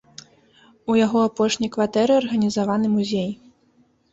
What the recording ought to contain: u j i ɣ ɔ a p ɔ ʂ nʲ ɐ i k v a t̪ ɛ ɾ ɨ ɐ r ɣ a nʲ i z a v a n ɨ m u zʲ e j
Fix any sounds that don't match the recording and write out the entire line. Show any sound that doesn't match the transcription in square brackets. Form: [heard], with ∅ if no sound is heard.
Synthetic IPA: u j [a] ɣ ɔ a p ɔ ʂ nʲ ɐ [j] k v a t̪ ɛ ɾ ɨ ɐ r ɣ [ɐ] nʲ i z a v a n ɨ m u zʲ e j